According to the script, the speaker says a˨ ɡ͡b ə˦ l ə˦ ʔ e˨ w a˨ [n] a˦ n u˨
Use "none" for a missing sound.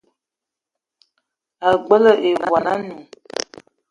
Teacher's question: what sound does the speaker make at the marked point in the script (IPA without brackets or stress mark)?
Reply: n